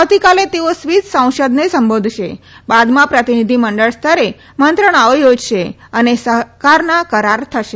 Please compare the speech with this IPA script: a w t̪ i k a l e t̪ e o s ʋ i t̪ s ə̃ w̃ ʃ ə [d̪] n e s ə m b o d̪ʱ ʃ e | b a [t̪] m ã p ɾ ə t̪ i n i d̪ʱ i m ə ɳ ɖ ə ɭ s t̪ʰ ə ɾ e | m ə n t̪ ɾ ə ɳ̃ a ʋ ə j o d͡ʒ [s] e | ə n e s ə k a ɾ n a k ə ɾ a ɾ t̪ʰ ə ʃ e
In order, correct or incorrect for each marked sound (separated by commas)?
correct, incorrect, incorrect